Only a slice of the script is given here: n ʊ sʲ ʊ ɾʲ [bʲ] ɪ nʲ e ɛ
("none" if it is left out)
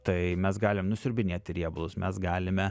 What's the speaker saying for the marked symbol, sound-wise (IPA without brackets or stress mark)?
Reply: bʲ